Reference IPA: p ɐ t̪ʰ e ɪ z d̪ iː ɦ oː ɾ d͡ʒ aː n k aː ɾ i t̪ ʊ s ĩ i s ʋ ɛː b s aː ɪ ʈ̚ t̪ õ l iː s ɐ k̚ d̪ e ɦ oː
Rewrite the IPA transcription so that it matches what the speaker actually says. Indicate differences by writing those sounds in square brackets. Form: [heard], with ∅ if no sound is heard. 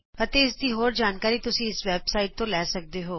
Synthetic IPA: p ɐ [t̪] e ɪ [s] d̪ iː ɦ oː ɾ d͡ʒ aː n k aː ɾ i t̪ ʊ s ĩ [ɪ] s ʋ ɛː b s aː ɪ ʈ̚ t̪ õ l [ɛː] s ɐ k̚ d̪ e ɦ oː